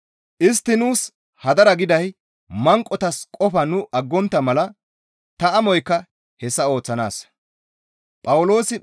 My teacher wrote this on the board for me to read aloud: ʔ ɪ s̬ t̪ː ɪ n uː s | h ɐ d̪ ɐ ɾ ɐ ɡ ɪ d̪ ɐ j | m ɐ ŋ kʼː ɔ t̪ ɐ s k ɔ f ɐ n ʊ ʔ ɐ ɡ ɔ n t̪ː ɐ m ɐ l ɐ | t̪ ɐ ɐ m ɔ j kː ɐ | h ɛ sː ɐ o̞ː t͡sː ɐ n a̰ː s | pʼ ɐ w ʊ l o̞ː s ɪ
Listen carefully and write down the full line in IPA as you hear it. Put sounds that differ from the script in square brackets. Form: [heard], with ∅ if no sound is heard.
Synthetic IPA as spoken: ʔ ɪ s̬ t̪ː ɪ n uː s | h ɐ d̪ ɐ ɾ ɐ ɡ ɪ d̪ ɐ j | m ɐ ŋ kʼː ɔ t̪ ɐ s [kʼ] ɔ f ɐ n ʊ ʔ ɐ [ɡː] ɔ n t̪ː ɐ m ɐ l ɐ | t̪ ɐ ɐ m ɔ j kː ɐ | h ɛ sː ɐ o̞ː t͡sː ɐ n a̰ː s | pʼ ɐ w ʊ l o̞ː s ɪ